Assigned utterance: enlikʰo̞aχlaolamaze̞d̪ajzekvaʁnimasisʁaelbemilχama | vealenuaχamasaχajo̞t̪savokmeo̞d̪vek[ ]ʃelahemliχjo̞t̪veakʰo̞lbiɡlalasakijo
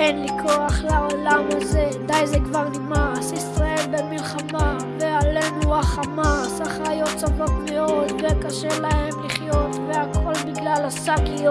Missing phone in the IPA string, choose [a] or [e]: a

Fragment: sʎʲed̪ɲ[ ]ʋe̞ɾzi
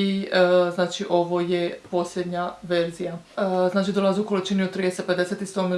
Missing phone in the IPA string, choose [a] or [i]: a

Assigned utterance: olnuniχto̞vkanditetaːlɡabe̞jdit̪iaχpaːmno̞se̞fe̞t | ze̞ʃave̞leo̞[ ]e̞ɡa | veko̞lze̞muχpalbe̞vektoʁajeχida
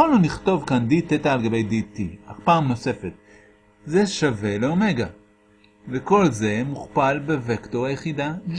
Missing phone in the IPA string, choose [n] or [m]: m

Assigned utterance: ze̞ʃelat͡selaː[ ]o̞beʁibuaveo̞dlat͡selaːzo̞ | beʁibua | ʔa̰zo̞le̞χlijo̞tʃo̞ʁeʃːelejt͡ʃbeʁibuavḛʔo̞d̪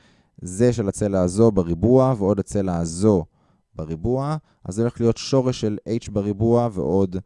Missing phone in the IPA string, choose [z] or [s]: z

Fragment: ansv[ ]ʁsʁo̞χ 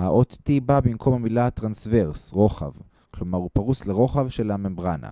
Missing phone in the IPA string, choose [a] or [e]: e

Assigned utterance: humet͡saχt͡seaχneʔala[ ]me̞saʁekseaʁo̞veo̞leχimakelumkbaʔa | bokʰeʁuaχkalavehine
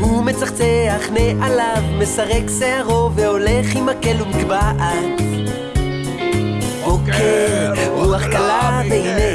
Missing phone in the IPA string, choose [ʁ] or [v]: v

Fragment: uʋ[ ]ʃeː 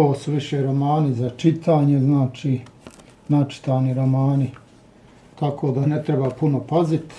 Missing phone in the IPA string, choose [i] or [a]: i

